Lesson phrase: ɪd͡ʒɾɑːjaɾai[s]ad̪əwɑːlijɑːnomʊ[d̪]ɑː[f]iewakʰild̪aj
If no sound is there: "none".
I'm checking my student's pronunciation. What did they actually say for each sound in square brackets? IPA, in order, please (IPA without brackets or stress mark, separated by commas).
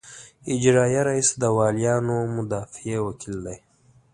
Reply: s, d̪, f